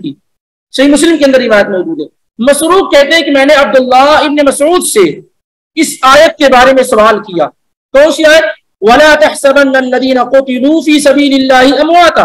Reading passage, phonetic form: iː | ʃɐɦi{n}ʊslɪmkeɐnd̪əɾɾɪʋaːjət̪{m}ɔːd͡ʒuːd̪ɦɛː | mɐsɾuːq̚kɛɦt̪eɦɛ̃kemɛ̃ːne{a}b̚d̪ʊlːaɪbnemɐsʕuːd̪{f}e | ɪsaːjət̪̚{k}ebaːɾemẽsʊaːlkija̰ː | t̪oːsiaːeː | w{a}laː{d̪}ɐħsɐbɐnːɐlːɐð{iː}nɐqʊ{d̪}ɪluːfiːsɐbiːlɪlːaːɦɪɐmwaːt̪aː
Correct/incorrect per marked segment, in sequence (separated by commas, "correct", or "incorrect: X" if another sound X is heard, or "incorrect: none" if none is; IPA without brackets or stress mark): incorrect: m, correct, incorrect: ɐ, incorrect: s, correct, incorrect: ɐ, incorrect: t̪, correct, incorrect: t̪